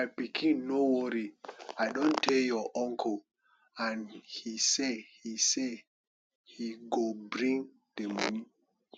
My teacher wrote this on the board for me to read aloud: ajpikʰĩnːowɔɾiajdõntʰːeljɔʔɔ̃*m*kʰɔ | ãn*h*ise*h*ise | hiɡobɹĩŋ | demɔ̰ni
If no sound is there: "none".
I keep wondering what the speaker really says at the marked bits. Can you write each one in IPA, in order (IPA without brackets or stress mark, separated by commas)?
ŋ, h, h